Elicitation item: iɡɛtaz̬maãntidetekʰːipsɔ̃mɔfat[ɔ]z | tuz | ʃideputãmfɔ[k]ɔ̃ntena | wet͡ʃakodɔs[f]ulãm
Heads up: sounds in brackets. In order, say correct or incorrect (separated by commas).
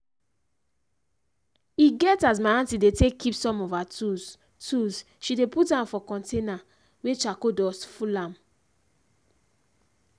incorrect, correct, correct